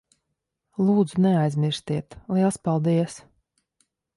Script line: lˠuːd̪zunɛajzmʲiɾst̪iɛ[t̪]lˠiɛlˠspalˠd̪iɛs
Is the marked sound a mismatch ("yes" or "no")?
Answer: no